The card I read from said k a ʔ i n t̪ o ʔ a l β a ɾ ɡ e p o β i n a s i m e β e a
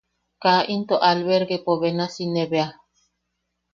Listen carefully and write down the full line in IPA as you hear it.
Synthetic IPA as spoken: k a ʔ i n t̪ o ʔ a l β e ɾ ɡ e p o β e n a s i n e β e a